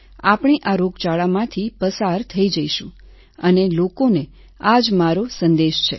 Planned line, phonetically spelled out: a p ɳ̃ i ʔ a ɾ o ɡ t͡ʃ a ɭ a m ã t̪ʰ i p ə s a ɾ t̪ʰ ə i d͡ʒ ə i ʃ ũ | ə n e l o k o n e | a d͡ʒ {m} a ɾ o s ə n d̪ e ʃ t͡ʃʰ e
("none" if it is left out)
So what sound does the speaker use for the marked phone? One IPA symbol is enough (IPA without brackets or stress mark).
m